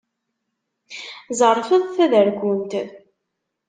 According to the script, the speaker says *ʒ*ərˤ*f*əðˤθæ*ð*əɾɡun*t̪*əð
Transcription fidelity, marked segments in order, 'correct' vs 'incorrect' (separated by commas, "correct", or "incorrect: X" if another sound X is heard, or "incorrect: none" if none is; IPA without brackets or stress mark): incorrect: z, correct, correct, correct